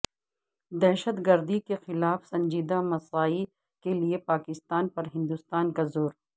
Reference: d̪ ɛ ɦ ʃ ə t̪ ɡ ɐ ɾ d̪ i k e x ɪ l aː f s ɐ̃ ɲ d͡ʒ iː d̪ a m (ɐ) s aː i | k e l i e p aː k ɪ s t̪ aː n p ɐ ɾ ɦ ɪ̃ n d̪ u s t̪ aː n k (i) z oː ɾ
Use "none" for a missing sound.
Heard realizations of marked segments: ɐ, a

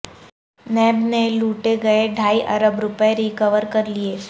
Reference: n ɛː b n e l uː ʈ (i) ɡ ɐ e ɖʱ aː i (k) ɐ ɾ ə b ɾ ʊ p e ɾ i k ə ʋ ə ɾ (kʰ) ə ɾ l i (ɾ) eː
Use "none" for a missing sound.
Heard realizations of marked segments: e, ʔ, k, none

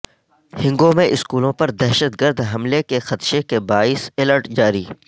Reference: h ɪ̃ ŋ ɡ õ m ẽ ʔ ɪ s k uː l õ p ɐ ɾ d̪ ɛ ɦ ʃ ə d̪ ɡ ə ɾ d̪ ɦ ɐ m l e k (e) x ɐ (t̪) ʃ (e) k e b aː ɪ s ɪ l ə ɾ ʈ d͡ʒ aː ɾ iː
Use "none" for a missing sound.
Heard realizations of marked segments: e, t̪, e

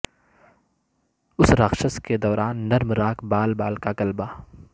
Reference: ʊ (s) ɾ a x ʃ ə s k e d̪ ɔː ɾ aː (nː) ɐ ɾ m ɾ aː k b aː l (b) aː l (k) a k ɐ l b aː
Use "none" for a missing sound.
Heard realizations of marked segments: s, nː, b, k

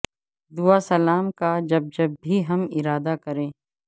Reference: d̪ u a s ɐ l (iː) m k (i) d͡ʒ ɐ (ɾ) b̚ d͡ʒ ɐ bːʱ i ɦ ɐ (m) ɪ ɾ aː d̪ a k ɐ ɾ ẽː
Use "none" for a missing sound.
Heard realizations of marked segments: aː, a, none, m

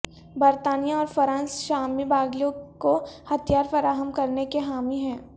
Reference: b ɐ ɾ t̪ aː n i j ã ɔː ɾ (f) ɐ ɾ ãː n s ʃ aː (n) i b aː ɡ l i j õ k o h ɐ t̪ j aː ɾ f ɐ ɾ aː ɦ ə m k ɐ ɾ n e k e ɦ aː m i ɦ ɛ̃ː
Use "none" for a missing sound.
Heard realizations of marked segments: f, m

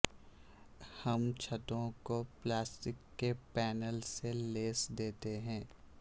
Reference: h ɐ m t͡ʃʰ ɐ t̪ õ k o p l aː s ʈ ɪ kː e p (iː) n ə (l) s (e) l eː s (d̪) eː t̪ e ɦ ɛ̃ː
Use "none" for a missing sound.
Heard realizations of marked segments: ɛː, l, e, d̪

